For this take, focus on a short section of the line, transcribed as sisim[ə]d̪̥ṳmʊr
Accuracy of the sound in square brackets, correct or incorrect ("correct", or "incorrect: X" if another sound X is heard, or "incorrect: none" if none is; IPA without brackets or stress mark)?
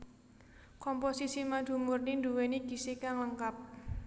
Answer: incorrect: a